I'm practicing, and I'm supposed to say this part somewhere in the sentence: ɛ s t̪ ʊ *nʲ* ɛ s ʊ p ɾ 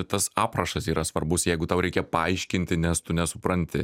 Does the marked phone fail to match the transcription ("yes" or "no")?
no